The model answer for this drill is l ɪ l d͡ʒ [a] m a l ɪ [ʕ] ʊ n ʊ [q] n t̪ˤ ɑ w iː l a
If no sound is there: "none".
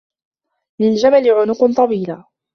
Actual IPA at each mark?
a, ʕ, q

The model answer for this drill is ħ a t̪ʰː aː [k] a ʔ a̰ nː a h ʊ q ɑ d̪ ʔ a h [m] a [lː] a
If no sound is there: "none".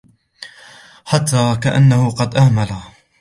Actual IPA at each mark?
k, m, l

